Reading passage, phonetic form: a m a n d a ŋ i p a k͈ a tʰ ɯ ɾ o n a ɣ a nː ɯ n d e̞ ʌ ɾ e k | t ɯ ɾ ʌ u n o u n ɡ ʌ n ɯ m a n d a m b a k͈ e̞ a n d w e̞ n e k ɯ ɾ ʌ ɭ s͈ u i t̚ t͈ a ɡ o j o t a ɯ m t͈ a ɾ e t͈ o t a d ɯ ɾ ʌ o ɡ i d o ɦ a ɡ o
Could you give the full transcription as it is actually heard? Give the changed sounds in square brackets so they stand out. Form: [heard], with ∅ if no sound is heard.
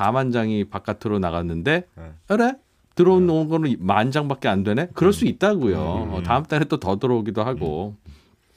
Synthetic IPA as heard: a m a n [d͡ʑ] a ŋ i p a k͈ a tʰ ɯ ɾ o n a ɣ a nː ɯ n d e̞ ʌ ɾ e [∅] | t ɯ ɾ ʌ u n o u n ɡ ʌ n ɯ m a n [d͡ʑ] a [ŋ] b a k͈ e̞ a n d w e̞ n e k ɯ ɾ ʌ ɭ s͈ u i t̚ t͈ a ɡ o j o t a ɯ m t͈ a ɾ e t͈ o t [ʌ] d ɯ ɾ ʌ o ɡ i d o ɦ a ɡ o